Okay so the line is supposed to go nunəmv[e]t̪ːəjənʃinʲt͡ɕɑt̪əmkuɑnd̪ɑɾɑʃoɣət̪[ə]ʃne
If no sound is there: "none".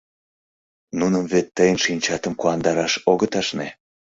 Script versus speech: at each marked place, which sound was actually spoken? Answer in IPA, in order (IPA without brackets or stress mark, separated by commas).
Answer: e, ɑ